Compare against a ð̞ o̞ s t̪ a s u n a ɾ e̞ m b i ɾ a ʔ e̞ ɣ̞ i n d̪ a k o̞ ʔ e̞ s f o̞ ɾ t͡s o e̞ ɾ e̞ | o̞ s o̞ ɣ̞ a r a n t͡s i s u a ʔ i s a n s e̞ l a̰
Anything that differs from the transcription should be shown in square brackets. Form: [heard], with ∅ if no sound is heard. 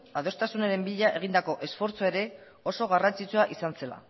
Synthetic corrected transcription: a ð̞ o̞ s t̪ a s u n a ɾ e̞ m b i [ʎ] a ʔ e̞ ɣ̞ i n d̪ a k o̞ ʔ e̞ s f o̞ ɾ t͡s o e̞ ɾ e̞ | o̞ s o̞ ɣ̞ a r a n t͡s i [t͡s] u a ʔ i s a n s e̞ l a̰